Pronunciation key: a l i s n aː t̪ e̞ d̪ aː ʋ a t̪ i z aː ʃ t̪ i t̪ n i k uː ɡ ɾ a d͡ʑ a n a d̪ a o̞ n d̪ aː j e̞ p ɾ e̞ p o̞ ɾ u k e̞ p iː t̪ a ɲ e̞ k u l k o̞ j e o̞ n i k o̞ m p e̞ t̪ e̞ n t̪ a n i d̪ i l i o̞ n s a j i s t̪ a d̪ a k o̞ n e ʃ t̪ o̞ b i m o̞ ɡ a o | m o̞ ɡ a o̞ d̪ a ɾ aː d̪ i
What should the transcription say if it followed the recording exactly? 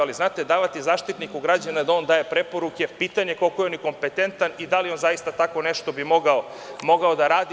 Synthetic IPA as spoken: a l i z n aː t̪ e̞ d̪ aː ʋ a t̪ i z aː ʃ t̪ i t̪ n i k u ɡ ɾ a d͡ʑ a n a d̪ a o̞ n d̪ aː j e̞ p ɾ e̞ p o̞ ɾ u k e̞ p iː t̪ a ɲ e̞ k o l k o̞ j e o̞ n i k o̞ m p e̞ t̪ e̞ n t̪ a n i d̪ a l i o̞ n z a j i s t̪ a t̪ a k o̞ n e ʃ t̪ o̞ b i m o̞ ɡ a o | m o̞ ɡ a o̞ d̪ a ɾ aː d̪ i